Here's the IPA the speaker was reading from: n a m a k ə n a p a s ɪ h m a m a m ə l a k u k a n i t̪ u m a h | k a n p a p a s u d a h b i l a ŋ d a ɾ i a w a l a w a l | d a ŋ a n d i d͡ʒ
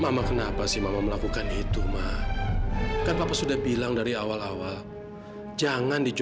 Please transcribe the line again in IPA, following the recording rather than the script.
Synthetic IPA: m a m a k ə n a p a s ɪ h m a m a m ə l a k u k a n i t̪ u m a h | k a n p a p a s u d a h b i l a ŋ d a ɾ i a w a l a w a l | d͡ʒ a ŋ a n d i d͡ʒ